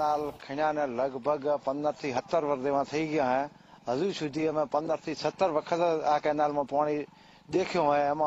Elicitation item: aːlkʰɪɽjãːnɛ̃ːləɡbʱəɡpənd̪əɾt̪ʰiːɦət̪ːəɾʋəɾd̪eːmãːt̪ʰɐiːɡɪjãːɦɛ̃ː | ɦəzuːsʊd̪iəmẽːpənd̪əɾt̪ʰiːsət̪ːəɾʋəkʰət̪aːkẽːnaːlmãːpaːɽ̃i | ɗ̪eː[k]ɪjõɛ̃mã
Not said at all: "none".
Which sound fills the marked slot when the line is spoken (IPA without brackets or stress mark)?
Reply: kʰ